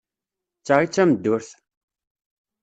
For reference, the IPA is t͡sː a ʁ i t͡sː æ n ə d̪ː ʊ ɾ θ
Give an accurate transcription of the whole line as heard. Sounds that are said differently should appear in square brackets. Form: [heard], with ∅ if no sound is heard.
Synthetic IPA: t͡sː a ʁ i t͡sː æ [m] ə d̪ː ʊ ɾ θ

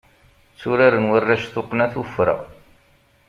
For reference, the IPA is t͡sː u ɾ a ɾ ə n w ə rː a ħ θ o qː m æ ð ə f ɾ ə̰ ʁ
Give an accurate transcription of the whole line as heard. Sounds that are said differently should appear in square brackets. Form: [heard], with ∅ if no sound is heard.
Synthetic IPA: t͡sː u ɾ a ɾ ə n w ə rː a [ʃ] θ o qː [n] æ [θ] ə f ɾ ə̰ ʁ

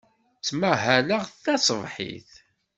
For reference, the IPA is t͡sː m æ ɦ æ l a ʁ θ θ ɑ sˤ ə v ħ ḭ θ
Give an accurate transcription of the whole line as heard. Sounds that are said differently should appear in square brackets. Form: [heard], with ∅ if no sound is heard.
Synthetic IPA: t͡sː m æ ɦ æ l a ʁ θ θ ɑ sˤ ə v ħ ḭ θ

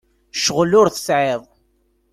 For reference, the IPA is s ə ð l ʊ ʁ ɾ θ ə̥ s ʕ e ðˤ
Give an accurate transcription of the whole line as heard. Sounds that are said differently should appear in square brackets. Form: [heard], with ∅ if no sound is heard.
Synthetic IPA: [ʃ] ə [ʁ] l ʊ [∅] ɾ θ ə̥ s ʕ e ðˤ

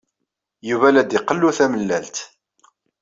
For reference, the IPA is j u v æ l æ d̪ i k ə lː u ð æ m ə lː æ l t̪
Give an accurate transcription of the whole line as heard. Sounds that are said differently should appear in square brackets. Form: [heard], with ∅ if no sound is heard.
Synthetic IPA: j u v æ l æ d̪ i [q] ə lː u [θ] æ m ə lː æ l t̪

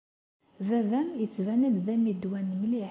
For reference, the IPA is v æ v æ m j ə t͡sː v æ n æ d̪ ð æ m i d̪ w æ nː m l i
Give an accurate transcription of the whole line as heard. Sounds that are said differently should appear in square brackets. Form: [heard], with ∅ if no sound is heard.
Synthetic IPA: v æ v æ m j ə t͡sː v æ n æ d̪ ð æ m i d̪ w æ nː m l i

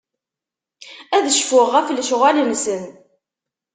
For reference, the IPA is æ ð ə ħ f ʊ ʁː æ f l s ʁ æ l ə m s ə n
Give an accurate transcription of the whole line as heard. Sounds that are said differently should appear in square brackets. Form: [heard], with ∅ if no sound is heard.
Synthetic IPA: æ ð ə [ʃ] f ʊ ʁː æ f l [ʃ] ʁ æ l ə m s ə n

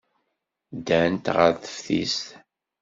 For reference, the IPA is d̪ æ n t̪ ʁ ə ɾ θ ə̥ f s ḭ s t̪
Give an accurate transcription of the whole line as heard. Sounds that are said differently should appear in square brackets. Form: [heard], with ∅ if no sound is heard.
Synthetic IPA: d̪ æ n t̪ ʁ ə ɾ θ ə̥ f [θ] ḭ s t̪

